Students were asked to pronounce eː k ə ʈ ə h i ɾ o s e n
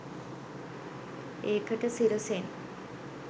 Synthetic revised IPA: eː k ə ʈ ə s i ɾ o s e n